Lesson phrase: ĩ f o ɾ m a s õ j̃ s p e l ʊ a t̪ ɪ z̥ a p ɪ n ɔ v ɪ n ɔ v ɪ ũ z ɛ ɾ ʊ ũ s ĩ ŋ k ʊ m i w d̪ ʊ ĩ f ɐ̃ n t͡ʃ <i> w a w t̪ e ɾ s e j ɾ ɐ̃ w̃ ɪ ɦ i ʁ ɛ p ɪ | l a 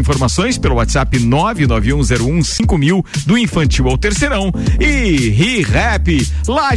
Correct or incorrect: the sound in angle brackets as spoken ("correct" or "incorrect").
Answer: correct